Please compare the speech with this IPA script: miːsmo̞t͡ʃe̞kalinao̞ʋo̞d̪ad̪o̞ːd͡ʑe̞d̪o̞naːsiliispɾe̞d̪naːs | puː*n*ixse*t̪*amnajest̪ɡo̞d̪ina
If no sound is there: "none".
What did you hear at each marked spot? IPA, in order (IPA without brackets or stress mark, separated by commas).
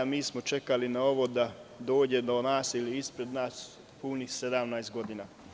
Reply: n, d̪